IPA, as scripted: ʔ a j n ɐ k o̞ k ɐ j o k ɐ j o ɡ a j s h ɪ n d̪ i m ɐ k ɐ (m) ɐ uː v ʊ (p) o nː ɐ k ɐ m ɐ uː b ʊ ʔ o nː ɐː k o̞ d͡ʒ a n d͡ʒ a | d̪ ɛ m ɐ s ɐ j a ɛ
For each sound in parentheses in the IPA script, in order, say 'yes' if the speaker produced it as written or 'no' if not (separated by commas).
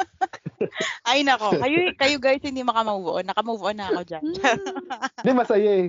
yes, no